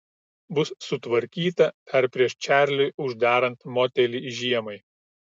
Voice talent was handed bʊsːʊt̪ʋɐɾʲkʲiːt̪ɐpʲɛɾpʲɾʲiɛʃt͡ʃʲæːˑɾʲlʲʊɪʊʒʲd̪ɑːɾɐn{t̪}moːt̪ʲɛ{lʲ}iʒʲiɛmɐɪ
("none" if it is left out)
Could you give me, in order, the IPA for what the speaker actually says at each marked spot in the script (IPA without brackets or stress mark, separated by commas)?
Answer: t̪, lʲ